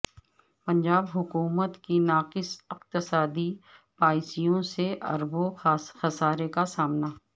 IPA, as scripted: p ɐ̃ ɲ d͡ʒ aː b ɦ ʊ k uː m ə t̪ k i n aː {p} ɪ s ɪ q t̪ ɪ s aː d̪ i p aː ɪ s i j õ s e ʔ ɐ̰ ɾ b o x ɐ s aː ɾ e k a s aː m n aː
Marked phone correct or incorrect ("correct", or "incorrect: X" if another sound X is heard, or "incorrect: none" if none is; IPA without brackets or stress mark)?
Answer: incorrect: q